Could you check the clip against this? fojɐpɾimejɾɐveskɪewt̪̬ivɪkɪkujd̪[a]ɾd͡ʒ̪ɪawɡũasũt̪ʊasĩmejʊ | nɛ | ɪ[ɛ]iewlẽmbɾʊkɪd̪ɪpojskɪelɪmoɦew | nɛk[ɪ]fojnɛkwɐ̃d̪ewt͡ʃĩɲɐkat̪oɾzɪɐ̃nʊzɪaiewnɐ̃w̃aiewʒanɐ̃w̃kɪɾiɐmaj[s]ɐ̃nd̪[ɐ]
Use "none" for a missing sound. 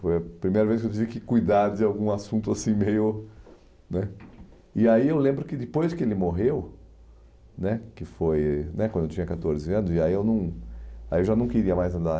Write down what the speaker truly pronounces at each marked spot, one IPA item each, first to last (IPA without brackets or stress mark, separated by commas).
a, a, ɪ, z, a